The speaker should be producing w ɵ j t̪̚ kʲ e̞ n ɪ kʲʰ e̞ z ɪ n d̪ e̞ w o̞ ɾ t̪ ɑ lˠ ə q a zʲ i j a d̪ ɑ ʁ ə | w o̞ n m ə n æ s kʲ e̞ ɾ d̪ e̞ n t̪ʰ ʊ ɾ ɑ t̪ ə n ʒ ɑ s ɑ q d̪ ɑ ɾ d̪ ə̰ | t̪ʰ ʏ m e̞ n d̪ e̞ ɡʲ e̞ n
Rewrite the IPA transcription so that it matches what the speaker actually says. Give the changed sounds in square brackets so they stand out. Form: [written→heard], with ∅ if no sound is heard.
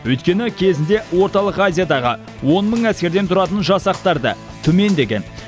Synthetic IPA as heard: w ɵ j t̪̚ kʲ e̞ n ɪ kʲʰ e̞ z ɪ n d̪ e̞ w o̞ ɾ t̪ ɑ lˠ ə q a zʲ i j a d̪ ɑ ʁ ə | w o̞ n m ə [n→ɴ] æ s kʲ e̞ ɾ d̪ e̞ n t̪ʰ ʊ ɾ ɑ t̪ ə n ʒ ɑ s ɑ q [d̪→t̪] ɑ ɾ d̪ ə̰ | t̪ʰ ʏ m e̞ n d̪ e̞ ɡʲ e̞ n